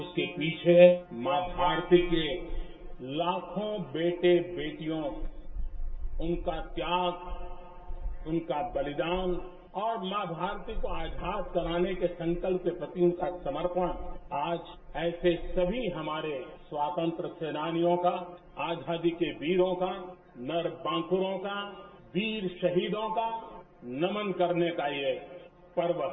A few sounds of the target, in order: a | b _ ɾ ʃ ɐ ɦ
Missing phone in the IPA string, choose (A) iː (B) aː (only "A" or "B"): A